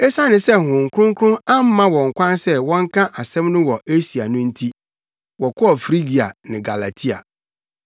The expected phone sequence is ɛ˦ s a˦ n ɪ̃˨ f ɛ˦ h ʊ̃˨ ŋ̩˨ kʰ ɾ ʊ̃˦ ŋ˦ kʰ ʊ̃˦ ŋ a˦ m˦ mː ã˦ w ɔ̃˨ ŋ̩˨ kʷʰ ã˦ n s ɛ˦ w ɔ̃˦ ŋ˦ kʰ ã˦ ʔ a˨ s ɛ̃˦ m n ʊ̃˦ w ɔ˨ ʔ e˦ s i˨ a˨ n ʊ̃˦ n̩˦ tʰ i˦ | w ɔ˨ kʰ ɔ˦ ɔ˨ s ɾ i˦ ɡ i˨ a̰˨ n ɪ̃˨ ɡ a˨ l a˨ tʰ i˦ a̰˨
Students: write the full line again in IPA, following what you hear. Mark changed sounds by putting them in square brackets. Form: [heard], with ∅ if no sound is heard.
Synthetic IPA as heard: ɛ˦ s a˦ n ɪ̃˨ [s] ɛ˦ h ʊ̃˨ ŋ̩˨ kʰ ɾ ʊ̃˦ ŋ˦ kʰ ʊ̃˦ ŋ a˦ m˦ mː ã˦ w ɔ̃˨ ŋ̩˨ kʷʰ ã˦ n s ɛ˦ w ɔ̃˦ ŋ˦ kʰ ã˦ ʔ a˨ s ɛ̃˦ m n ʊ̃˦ w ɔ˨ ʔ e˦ s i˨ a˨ n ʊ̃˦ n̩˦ tʰ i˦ | w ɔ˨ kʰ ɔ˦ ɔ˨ [f] ɾ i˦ ɡ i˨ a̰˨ n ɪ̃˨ ɡ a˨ l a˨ tʰ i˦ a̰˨